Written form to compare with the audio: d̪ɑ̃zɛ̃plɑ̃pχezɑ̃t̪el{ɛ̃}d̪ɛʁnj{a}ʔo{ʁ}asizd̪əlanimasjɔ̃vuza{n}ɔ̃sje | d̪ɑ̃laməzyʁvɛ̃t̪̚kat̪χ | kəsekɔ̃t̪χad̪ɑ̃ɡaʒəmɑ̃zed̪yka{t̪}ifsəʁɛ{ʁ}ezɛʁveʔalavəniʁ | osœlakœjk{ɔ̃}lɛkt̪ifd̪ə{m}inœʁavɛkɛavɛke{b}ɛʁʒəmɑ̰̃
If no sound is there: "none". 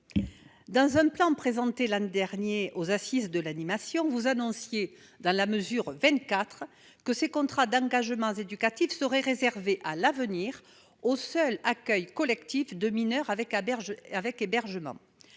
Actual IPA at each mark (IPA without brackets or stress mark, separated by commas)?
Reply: ɛ̃, e, z, n, t̪, ʁ, ɔ, m, b